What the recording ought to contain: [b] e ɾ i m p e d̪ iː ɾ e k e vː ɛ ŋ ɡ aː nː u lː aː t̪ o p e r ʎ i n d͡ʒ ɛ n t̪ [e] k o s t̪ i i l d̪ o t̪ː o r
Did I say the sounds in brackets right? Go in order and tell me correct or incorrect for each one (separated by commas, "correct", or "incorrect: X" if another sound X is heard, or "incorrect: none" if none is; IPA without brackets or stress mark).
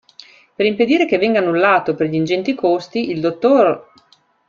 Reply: incorrect: p, incorrect: i